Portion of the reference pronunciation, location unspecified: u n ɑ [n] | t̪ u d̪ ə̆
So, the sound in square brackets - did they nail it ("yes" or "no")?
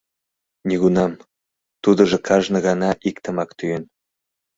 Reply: no